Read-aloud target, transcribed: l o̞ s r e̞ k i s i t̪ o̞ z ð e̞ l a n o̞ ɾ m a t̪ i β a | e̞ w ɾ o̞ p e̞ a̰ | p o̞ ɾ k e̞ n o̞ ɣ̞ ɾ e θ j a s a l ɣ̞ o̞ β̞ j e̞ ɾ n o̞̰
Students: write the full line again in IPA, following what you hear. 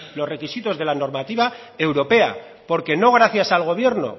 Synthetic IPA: l o̞ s r e̞ k i s i t̪ o̞ z ð e̞ l a n o̞ ɾ m a t̪ i β a | e̞ w ɾ o̞ p e̞ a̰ | p o̞ ɾ k e̞ n o̞ ɣ̞ ɾ a θ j a s a l ɣ̞ o̞ β̞ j e̞ ɾ n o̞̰